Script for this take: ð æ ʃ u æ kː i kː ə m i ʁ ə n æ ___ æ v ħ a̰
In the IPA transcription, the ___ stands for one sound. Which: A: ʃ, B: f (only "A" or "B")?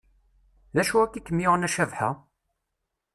A